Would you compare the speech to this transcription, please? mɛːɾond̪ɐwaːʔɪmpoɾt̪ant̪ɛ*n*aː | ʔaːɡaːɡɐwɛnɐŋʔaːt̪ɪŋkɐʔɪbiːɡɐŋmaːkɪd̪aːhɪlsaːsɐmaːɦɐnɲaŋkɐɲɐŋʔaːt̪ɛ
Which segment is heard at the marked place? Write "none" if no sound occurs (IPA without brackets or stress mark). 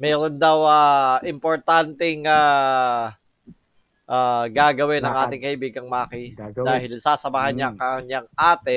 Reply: ŋ